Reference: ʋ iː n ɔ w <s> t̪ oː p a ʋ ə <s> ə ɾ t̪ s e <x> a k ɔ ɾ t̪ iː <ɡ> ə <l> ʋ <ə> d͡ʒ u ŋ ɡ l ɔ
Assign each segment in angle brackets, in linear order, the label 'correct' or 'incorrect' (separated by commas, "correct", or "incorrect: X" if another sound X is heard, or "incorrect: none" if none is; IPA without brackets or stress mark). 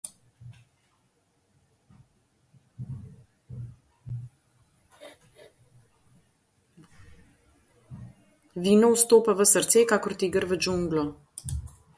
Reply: correct, correct, incorrect: k, correct, incorrect: ɾ, correct